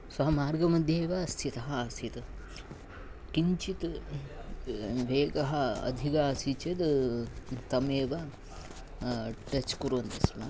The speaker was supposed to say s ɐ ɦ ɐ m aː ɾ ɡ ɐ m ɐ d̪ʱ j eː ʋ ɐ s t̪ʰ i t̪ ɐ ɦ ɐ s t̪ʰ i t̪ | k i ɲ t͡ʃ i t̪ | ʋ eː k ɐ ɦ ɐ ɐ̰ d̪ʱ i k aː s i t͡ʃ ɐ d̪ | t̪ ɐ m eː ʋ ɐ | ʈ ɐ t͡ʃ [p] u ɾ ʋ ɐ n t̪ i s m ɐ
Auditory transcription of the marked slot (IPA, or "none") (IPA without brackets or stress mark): k